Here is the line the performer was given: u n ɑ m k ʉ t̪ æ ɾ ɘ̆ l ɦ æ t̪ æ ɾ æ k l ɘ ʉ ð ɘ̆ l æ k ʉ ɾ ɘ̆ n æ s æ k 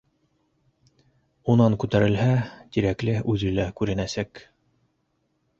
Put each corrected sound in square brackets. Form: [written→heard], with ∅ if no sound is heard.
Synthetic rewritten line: u n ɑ [m→ŋ] k ʉ t̪ æ ɾ ɘ̆ l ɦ æ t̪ [æ→i] ɾ æ k l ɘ ʉ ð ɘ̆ l æ k ʉ ɾ ɘ̆ n æ s æ k